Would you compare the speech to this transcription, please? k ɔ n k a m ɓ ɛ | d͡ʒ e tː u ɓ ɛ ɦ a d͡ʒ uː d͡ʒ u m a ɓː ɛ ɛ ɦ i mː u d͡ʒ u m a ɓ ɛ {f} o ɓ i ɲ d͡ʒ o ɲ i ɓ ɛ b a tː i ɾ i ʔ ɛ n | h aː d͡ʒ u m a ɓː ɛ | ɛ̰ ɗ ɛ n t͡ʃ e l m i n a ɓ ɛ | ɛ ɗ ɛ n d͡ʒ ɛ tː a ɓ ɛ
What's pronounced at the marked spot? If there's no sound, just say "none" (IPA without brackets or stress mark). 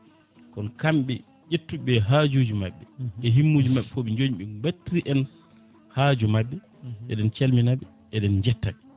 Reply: f